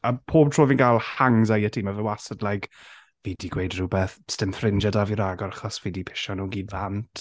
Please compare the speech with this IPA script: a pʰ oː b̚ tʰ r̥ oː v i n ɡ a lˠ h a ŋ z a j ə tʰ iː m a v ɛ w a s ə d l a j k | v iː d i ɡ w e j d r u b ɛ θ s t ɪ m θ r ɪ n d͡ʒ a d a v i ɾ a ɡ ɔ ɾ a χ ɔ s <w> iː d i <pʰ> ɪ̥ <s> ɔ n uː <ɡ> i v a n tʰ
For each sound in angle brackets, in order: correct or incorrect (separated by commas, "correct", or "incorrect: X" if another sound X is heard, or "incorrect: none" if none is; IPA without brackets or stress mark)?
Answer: incorrect: v, correct, incorrect: ʃ, correct